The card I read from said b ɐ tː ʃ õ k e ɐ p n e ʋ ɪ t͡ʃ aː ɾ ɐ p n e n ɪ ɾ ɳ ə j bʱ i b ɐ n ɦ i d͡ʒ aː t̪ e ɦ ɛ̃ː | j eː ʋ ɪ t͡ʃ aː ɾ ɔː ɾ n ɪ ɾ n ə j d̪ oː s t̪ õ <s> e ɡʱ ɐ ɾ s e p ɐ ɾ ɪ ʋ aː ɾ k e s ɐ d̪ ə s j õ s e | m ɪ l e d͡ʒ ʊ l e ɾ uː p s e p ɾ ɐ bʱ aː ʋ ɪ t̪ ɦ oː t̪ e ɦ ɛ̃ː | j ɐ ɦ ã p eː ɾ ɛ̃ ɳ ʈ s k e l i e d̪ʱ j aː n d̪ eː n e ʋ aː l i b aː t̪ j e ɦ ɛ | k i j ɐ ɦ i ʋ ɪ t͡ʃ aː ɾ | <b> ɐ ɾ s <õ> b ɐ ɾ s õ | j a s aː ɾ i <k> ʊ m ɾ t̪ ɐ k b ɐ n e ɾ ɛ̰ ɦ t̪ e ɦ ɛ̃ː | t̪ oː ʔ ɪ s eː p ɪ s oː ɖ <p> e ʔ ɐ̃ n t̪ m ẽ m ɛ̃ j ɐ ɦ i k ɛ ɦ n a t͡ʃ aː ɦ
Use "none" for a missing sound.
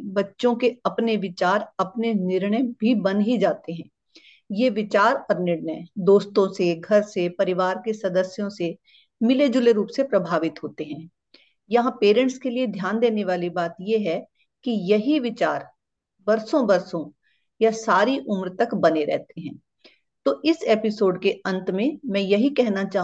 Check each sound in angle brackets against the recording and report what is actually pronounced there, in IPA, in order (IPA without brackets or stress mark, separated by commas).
s, b, õ, ʔ, k